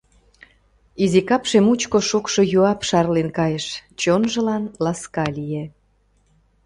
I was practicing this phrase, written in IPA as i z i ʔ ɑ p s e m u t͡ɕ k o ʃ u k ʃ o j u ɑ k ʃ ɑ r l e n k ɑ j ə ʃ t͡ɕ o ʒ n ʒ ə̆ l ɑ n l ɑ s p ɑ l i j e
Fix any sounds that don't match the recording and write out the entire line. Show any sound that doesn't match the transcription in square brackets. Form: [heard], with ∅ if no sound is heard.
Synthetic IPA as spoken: i z i [k] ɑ p [ʃ] e m u t͡ɕ k o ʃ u k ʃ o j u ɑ [p] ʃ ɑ r l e n k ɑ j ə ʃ t͡ɕ o [∅] n ʒ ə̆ l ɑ n l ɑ s [k] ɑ l i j e